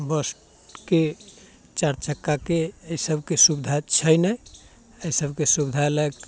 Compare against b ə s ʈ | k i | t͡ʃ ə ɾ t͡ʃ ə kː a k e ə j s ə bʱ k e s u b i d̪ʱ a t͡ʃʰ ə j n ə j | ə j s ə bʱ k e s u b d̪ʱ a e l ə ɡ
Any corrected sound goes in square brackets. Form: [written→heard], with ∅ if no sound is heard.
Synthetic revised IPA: b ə s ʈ | k [i→e] | t͡ʃ [ə→a] ɾ t͡ʃ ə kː a k e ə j s ə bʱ k e s u b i d̪ʱ a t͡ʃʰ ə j n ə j | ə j s ə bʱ k e s u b d̪ʱ a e l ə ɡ